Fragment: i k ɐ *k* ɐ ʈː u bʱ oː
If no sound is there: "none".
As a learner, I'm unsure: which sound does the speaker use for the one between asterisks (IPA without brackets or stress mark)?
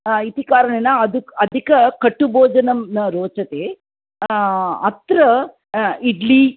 k